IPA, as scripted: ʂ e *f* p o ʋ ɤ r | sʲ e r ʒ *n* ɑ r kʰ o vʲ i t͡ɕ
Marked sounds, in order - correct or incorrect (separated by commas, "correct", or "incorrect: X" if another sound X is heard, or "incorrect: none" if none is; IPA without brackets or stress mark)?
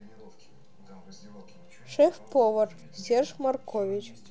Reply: correct, incorrect: m